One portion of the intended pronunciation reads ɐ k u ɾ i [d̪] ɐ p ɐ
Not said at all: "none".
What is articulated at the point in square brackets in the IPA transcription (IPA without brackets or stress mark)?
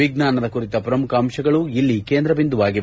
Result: t̪